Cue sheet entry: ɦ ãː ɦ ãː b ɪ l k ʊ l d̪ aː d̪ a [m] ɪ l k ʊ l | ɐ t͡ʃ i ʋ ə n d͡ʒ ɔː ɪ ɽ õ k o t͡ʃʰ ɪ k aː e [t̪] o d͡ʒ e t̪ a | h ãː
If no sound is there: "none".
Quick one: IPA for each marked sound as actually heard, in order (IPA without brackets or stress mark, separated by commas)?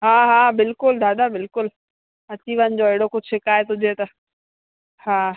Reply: b, t̪